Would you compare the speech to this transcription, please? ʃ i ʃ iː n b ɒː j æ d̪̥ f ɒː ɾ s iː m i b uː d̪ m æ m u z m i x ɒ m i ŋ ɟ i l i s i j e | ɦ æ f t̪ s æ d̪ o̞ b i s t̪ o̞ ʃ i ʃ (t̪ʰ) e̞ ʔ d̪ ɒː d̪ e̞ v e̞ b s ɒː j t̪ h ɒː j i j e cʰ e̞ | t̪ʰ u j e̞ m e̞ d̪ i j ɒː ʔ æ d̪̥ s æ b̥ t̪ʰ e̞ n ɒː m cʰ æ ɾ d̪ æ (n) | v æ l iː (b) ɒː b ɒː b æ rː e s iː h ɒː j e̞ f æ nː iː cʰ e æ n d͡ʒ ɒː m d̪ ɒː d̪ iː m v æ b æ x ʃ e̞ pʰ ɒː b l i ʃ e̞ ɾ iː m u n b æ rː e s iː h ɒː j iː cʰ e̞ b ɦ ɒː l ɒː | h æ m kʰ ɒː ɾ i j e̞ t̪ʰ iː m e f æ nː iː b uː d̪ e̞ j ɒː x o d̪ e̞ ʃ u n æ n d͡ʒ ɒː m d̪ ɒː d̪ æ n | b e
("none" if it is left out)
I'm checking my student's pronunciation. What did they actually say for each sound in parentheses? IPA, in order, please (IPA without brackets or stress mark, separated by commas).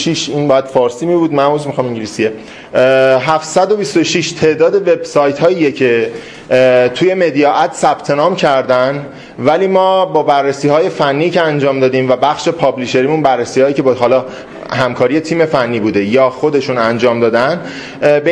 t̪ʰ, n, m